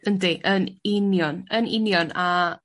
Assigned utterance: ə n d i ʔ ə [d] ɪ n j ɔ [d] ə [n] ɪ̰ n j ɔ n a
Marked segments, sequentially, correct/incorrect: incorrect, incorrect, correct

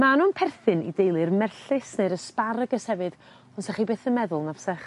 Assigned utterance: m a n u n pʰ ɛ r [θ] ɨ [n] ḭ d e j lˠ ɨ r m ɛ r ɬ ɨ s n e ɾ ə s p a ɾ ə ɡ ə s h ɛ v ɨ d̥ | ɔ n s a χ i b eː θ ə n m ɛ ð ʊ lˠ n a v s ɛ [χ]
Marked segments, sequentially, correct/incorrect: correct, correct, correct

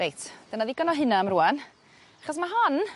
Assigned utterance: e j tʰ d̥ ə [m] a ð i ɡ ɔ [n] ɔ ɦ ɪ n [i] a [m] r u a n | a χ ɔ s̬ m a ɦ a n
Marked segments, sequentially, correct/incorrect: incorrect, correct, incorrect, correct

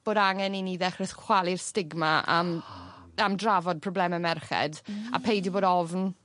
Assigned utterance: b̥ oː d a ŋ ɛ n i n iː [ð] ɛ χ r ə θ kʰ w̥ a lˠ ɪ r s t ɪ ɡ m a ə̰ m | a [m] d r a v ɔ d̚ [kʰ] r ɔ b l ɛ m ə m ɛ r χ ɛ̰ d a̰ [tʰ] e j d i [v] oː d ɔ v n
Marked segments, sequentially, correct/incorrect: correct, correct, incorrect, incorrect, incorrect

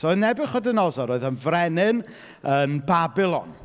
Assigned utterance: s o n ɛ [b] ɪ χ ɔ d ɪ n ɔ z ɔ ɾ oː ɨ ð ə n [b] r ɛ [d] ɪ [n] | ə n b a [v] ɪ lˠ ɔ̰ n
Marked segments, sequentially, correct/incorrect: correct, incorrect, incorrect, correct, incorrect

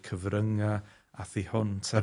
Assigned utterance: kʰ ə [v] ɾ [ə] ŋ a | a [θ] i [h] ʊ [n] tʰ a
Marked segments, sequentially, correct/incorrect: correct, correct, correct, correct, correct

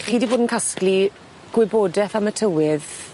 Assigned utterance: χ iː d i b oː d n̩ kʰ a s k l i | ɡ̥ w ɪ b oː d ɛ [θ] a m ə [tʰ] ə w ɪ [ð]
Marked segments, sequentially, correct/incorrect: correct, correct, correct

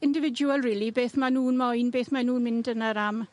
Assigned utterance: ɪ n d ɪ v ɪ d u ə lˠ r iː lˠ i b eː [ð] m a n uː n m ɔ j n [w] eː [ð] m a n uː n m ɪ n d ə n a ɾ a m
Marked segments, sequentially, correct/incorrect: incorrect, incorrect, incorrect

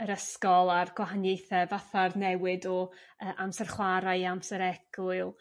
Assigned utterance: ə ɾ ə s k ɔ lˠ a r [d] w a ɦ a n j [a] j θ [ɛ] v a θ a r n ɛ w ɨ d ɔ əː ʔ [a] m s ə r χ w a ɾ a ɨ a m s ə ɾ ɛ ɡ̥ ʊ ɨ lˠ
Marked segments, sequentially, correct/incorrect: incorrect, incorrect, correct, correct

